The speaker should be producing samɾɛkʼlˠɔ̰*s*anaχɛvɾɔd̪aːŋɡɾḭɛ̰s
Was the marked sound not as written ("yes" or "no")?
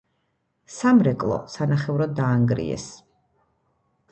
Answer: no